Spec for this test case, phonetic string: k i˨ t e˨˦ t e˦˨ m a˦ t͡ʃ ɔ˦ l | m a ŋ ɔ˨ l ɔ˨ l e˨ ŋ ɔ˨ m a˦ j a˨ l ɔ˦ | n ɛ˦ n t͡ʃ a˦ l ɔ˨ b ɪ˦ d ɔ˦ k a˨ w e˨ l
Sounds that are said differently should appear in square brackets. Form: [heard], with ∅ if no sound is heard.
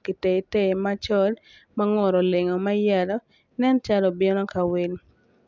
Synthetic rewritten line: k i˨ t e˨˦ t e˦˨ m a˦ t͡ʃ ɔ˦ l | m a ŋ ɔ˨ [ɾ] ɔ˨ l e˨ ŋ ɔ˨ m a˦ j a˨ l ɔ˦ | n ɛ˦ n t͡ʃ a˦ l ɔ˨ b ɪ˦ [n] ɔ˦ k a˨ w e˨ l